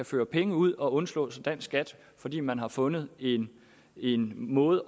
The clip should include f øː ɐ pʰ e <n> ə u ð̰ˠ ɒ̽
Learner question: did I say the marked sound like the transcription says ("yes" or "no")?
no